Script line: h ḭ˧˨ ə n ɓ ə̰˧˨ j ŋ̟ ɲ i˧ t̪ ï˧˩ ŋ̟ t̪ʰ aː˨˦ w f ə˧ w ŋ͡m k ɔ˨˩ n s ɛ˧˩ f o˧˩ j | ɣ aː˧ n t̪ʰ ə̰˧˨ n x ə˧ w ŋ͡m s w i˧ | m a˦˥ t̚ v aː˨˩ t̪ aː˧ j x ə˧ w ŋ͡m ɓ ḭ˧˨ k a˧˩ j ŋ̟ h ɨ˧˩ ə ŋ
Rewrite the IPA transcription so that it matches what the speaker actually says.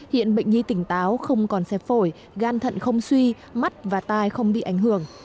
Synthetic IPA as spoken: h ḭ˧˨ ə n ɓ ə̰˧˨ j ŋ̟ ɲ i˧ t̪ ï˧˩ ŋ̟ t̪ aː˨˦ w x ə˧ w ŋ͡m k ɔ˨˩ n s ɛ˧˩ f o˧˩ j | ɣ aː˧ n t̪ʰ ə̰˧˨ n x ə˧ w ŋ͡m s w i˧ | m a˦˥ t̚ v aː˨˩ t̪ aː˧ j x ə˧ w ŋ͡m ɓ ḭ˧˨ ʔ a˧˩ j ŋ̟ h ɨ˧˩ ə ŋ